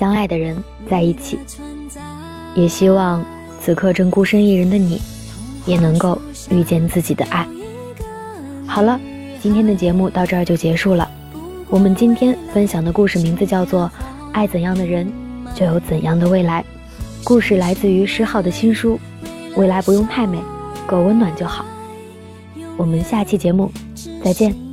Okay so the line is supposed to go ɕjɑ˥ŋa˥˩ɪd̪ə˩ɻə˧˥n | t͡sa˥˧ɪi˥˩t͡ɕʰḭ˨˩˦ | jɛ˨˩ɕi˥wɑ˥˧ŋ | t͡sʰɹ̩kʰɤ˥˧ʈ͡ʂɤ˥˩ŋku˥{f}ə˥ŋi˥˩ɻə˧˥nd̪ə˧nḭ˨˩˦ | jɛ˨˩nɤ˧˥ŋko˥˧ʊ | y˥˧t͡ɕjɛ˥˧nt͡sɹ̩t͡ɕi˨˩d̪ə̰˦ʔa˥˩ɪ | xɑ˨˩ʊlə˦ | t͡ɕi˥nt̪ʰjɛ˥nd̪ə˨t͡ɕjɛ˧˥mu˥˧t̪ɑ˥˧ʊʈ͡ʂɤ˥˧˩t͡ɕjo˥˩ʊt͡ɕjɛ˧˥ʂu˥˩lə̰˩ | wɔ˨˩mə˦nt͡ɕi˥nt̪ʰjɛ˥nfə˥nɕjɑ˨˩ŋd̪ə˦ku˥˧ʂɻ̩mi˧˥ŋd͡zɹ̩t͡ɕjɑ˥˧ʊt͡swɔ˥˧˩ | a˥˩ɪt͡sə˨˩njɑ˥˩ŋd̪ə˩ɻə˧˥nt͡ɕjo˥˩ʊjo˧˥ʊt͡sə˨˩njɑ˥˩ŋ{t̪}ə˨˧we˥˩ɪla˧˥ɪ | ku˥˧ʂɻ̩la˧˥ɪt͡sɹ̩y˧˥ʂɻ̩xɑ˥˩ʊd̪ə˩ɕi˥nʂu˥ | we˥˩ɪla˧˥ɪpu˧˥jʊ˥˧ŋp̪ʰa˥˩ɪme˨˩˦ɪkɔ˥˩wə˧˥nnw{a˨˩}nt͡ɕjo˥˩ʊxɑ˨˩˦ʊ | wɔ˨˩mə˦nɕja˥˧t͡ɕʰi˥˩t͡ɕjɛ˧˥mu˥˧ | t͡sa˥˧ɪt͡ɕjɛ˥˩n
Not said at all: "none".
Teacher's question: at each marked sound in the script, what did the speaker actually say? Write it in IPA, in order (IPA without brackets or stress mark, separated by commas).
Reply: ʂ, d̪, a˨˩